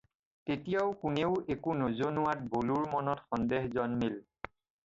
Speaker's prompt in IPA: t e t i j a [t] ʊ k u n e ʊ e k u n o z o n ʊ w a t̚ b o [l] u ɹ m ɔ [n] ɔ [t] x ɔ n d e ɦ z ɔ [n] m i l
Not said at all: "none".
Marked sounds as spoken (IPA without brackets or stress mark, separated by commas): none, l, n, t, n